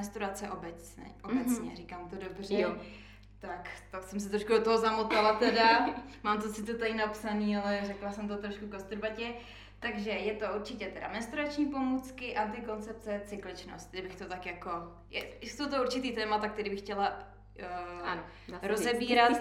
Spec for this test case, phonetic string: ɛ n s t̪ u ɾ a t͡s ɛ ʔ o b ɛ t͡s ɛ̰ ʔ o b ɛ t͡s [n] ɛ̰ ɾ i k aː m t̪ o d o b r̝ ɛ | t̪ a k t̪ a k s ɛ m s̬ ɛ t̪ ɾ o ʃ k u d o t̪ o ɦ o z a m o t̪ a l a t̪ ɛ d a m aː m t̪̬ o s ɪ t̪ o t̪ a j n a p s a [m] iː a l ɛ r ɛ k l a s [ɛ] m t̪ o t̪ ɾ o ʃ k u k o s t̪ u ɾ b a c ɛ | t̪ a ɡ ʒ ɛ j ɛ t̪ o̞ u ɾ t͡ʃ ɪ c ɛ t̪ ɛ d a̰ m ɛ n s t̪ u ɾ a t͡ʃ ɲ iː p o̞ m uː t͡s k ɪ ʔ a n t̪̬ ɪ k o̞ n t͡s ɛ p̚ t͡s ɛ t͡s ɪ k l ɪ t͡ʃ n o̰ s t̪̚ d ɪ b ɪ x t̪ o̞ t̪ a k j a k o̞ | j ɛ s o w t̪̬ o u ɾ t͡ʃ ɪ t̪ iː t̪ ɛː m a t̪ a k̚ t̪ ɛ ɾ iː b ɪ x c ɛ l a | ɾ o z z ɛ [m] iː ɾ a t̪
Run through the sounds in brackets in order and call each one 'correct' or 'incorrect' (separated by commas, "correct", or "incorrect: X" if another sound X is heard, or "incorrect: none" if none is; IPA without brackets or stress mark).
incorrect: ɲ, incorrect: n, correct, incorrect: b